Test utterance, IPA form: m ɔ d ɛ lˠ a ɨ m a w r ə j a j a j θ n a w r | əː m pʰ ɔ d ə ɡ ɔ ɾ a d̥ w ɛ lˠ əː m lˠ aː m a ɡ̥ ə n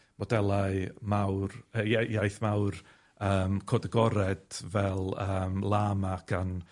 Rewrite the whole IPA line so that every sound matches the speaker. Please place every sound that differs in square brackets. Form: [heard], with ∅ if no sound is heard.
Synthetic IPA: m ɔ d ɛ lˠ a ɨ m a w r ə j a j a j θ [m] a w r | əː m [kʰ] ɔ d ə ɡ ɔ ɾ [ɛ] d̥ [v] ɛ lˠ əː m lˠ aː m a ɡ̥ [a] n